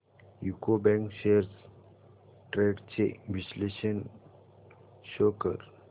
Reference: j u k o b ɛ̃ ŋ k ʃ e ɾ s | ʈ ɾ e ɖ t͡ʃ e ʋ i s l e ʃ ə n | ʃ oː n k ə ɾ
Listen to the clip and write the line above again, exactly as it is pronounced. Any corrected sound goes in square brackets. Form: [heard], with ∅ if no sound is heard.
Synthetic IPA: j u k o b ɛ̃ ŋ k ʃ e ɾ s | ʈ ɾ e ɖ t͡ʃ e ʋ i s l e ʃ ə n | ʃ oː [∅] k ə ɾ

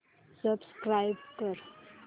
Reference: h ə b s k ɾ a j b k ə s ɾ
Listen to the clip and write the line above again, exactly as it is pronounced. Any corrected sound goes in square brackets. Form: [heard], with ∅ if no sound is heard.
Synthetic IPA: [s] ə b s k ɾ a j b k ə [∅] ɾ

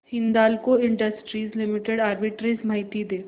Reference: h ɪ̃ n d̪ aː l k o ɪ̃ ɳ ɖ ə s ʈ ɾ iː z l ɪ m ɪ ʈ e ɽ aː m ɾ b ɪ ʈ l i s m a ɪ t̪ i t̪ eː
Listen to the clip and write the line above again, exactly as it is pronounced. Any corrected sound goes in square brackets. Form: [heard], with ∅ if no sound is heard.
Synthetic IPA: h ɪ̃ n d̪ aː l k o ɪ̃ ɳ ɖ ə s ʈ ɾ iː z l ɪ m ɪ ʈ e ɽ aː [∅] ɾ b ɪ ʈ [ɾ] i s m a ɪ t̪ i [d̪] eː

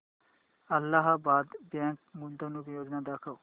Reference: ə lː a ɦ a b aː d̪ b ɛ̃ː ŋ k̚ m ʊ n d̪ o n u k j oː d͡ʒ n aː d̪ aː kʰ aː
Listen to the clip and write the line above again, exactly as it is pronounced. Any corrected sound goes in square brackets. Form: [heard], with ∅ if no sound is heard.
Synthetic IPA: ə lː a ɦ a b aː d̪ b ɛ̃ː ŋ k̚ m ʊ n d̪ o n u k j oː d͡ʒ n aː d̪ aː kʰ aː

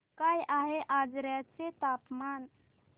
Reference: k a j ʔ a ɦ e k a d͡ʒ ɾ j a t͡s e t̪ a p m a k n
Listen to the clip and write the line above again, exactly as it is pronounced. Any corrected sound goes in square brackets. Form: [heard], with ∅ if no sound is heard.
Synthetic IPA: k a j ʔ a ɦ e [ʔ] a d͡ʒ ɾ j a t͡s e t̪ a p m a [∅] n

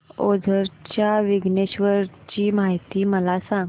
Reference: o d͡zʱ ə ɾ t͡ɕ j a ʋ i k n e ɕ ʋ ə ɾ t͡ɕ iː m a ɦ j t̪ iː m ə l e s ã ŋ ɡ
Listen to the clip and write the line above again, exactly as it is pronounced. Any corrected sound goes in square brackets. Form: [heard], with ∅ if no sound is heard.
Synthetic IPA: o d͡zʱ ə ɾ t͡ɕ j a ʋ i [ɡ] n e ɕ ʋ ə ɾ t͡ɕ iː m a ɦ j t̪ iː m ə l [a] s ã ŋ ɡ

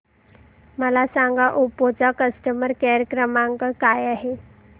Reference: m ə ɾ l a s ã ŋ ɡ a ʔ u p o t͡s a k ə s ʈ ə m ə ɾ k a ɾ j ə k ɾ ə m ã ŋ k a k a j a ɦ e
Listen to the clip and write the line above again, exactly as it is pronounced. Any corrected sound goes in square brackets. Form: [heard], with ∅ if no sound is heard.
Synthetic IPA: m ə [∅] l a s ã ŋ ɡ a ʔ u p o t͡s a k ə s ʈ ə m ə ɾ k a ɾ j ə k ɾ ə m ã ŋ k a k a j a ɦ e

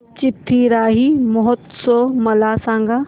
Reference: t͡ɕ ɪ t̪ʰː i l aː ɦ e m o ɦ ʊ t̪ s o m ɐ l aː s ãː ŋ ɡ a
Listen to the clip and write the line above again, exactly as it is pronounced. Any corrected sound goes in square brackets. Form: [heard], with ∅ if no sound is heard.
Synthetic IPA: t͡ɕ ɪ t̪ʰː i [ɾ] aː ɦ [i] m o ɦ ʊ t̪ s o m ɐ l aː s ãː ŋ ɡ a

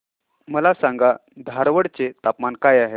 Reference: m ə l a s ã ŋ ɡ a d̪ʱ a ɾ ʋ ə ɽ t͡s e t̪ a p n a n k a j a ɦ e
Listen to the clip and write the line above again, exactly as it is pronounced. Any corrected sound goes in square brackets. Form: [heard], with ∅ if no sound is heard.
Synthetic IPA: m ə l a s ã ŋ ɡ a d̪ʱ a ɾ ʋ ə ɽ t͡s e t̪ a p [m] a n k a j a ɦ e

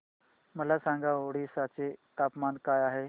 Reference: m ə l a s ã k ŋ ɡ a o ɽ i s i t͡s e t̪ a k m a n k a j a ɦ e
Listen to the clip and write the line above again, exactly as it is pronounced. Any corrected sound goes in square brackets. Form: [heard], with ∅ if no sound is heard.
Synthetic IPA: m ə l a s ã [∅] ŋ ɡ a o ɽ i s [a] t͡s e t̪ a [p] m a n k a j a ɦ e

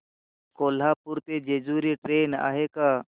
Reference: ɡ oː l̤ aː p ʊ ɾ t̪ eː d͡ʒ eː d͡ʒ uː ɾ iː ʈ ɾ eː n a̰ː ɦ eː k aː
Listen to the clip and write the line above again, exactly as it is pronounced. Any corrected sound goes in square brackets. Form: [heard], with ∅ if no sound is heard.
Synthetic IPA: [k] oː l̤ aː p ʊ ɾ t̪ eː d͡ʒ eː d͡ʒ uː ɾ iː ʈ ɾ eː n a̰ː ɦ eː k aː

